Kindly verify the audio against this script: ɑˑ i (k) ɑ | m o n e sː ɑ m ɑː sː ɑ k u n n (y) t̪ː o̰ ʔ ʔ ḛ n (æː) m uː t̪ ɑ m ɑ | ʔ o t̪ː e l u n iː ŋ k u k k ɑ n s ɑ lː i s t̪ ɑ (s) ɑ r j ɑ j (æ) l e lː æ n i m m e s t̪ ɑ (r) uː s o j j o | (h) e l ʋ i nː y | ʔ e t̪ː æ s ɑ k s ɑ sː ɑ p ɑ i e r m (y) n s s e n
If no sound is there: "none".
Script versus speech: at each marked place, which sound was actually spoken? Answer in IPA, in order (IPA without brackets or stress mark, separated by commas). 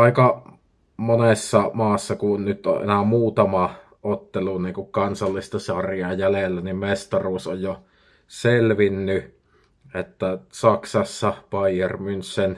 k, y, æ, s, æ, r, s, y